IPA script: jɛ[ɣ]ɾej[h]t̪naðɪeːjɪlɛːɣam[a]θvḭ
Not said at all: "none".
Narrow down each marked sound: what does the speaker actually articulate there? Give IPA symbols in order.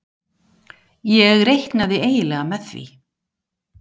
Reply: ɣ, h, ɛ

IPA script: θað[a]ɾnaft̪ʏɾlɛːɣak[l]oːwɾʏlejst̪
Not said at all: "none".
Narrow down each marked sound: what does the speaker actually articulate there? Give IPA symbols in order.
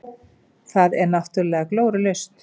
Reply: ɛ, l

